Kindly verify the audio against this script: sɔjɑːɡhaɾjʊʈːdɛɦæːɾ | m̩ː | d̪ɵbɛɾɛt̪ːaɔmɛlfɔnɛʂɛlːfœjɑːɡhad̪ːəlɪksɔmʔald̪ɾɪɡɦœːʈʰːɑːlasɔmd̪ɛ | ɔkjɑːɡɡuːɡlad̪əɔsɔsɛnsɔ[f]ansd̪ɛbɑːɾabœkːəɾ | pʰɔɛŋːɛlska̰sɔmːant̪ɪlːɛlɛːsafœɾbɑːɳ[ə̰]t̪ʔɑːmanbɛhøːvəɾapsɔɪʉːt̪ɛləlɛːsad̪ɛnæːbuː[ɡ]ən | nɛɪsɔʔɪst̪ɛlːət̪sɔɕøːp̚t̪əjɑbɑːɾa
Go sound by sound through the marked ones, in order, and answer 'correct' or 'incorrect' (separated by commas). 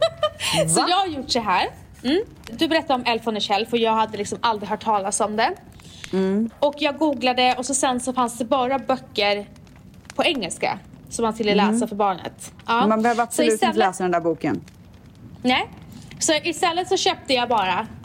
correct, correct, incorrect